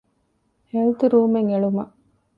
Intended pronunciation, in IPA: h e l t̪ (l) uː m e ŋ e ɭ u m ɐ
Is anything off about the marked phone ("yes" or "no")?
yes